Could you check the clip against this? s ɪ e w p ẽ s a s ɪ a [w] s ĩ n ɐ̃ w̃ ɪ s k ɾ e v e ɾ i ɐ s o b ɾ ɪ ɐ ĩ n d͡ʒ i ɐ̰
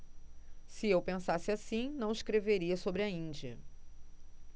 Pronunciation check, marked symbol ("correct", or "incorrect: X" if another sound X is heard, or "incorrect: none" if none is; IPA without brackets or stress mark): incorrect: none